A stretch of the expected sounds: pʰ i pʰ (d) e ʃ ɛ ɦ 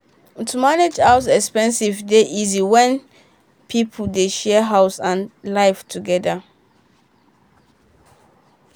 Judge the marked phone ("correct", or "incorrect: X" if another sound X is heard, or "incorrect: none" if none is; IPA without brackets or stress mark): correct